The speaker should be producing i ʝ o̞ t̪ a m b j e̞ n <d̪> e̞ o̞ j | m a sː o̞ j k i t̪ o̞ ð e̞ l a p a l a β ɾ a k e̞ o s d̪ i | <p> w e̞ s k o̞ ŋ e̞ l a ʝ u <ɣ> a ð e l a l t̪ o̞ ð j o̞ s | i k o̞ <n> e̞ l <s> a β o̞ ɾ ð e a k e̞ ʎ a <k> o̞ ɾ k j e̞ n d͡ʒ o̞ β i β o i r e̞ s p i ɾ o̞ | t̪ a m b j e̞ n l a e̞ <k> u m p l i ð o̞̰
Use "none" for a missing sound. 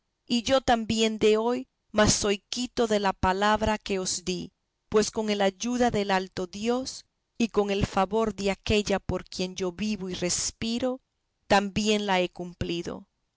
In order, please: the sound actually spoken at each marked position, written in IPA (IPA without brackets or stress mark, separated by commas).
d̪, p, ð, ŋ, f, p, k